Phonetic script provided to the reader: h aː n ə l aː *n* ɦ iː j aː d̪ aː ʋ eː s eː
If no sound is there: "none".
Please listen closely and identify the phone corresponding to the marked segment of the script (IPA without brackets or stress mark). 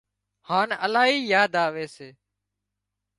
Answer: none